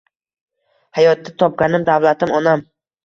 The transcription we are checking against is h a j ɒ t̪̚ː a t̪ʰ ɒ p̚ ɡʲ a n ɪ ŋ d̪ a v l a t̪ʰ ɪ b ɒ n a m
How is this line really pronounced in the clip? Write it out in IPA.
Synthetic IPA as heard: h a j ɒ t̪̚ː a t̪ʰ ɒ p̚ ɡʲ a n ɪ m d̪ a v l a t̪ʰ ɪ m ɒ n a m